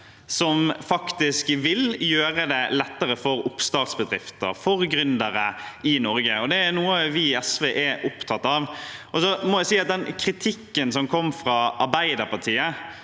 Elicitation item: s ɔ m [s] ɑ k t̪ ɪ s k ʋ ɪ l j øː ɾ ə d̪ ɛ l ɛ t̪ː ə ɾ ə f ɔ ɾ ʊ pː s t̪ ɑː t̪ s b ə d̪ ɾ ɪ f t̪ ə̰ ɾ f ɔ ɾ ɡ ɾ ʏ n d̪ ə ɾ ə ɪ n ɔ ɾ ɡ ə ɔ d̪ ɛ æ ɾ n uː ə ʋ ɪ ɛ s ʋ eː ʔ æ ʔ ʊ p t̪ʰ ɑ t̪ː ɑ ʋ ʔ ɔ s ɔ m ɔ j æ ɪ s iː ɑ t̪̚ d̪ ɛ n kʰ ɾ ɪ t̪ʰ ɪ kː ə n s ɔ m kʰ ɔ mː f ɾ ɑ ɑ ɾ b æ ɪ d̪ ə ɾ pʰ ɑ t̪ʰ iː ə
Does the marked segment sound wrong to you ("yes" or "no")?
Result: yes